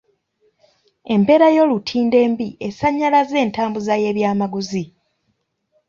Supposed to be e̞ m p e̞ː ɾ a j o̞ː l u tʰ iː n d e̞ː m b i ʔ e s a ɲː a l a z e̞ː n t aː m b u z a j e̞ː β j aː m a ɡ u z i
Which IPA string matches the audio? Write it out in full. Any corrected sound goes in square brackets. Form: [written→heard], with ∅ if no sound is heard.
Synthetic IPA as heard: e̞ m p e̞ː ɾ a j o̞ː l u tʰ iː n d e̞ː m b i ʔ e s a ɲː a l a z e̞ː n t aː m b u z a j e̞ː β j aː m a ɡ u z i